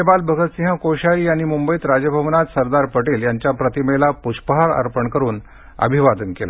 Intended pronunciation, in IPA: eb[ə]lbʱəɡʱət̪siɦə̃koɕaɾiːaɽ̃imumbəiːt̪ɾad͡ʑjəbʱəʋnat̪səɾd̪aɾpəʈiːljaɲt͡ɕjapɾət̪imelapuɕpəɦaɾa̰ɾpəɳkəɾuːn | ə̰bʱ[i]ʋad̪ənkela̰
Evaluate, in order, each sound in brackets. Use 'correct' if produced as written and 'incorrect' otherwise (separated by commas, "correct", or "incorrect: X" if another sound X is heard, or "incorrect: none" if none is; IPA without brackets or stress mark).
incorrect: a, correct